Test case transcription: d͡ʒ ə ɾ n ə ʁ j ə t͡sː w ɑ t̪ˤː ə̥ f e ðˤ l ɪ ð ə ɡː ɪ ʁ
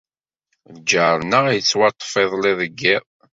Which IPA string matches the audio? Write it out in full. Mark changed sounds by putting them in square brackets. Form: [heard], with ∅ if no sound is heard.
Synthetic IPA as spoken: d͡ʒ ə ɾ n ə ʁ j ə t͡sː w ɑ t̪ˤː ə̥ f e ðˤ l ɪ ð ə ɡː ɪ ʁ